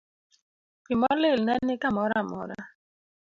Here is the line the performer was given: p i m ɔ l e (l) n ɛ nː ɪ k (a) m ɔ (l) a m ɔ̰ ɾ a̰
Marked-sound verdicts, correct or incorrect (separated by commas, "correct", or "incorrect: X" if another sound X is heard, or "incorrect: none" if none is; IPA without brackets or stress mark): correct, correct, incorrect: ɾ